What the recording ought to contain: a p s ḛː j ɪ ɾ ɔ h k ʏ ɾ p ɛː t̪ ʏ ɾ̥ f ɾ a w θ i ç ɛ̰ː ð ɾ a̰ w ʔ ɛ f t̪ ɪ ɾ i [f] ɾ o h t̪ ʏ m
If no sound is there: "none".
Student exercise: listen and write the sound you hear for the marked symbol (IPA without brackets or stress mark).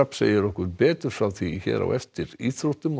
θ